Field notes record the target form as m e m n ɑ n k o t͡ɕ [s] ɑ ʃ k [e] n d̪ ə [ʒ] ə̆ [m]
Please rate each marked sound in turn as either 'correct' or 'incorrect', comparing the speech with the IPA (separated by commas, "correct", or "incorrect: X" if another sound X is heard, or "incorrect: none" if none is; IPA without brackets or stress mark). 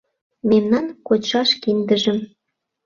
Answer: incorrect: ʃ, incorrect: i, correct, correct